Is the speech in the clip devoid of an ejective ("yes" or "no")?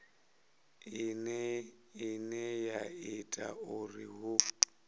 no